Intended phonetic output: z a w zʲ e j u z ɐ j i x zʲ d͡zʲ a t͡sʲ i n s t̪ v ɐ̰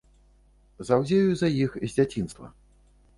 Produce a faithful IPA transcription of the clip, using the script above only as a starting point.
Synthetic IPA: z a w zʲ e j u z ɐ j i x zʲ d͡zʲ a t͡sʲ i n s t̪ v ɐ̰